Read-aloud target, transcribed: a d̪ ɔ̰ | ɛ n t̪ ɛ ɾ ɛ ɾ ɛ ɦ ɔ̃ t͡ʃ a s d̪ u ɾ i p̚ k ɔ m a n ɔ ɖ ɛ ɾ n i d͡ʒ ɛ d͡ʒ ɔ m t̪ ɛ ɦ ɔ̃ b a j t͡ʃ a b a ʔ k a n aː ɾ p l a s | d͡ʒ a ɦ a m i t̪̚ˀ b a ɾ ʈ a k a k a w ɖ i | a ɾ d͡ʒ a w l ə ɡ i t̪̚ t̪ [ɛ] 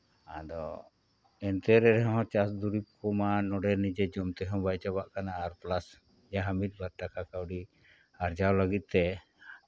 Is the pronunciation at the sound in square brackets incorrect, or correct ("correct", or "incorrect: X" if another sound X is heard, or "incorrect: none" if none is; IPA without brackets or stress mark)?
correct